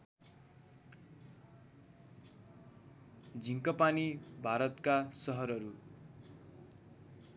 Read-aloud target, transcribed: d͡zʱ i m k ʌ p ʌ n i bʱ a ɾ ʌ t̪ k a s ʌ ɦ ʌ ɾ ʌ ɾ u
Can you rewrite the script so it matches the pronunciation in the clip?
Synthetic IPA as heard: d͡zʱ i ŋ k ʌ p a n i bʱ a ɾ ʌ t̪ k a s ʌ ɦ ʌ ɾ ʌ ɾ u